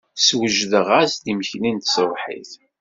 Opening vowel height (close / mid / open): mid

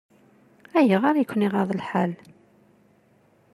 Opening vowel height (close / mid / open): open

